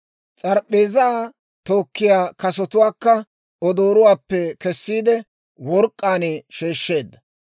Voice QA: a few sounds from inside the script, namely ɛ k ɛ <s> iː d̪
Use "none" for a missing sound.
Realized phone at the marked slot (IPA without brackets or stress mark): sː